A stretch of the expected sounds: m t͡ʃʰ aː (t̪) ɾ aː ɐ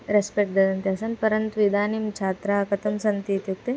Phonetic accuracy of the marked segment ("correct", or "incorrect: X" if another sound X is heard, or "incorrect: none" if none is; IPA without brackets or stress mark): correct